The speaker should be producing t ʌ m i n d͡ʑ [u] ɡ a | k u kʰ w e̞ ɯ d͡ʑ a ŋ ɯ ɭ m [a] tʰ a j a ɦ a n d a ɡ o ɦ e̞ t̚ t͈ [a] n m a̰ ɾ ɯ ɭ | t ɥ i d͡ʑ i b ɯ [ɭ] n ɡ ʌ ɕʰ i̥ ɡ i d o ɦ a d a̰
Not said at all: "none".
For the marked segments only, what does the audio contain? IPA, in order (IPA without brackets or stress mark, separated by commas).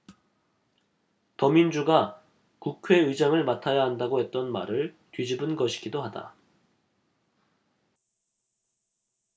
u, a, ʌ, none